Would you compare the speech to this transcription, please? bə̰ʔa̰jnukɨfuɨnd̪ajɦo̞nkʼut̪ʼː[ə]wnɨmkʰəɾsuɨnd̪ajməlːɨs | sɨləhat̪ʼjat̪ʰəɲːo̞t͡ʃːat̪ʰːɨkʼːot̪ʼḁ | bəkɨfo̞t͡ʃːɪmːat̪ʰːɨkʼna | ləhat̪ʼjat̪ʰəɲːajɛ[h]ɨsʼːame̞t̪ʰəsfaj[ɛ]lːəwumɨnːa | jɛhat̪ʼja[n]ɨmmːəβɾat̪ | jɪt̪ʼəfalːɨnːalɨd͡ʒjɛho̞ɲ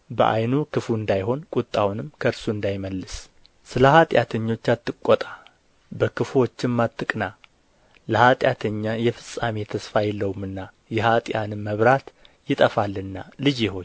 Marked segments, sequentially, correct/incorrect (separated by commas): incorrect, incorrect, correct, correct